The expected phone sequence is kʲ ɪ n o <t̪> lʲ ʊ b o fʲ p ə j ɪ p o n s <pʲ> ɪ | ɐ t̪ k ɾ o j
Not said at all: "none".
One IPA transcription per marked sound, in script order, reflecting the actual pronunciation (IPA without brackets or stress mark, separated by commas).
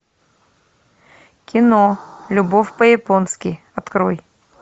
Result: none, kʲ